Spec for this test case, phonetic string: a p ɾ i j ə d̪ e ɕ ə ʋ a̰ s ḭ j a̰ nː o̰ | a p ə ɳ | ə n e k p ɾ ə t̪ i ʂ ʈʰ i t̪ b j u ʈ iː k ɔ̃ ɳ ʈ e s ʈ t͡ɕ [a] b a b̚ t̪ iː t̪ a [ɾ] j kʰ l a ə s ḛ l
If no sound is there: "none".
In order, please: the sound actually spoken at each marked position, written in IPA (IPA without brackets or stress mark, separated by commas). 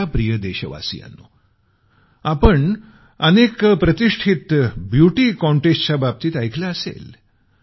a, none